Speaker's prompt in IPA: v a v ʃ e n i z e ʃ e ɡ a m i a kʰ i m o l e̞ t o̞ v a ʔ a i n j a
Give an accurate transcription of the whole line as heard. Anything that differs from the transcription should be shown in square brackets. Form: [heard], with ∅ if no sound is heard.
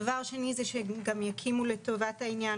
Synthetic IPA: v a [ʁ] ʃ e n i z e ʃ e ɡ a m [j] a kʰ i m [u] l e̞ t o̞ v a [t] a i n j a